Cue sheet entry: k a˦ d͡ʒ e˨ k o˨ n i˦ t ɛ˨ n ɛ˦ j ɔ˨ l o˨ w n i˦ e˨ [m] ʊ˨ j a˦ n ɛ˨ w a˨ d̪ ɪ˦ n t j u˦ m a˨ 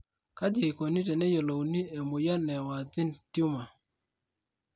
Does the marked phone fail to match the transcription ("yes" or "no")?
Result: no